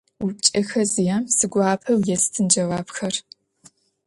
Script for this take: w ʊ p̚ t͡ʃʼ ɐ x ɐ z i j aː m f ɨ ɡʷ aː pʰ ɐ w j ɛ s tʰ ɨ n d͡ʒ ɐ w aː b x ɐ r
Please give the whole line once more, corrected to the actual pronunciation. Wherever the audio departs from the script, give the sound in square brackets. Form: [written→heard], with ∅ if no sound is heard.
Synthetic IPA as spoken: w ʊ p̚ t͡ʃʼ ɐ x ɐ z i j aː m [f→s] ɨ ɡʷ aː pʰ ɐ w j ɛ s tʰ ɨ n d͡ʒ ɐ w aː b x ɐ r